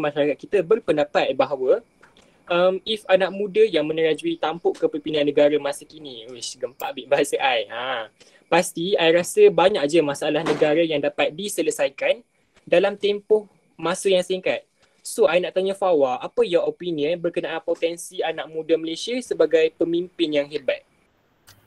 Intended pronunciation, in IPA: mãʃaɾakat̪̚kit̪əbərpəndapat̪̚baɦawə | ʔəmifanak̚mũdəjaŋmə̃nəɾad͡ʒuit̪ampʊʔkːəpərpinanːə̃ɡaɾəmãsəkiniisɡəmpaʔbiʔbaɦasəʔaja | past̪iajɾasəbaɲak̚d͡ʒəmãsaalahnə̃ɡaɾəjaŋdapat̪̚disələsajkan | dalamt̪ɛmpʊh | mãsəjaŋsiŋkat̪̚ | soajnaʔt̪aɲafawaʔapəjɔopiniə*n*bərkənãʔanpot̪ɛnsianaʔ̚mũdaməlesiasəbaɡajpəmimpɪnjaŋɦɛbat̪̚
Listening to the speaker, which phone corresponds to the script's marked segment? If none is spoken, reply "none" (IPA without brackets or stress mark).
n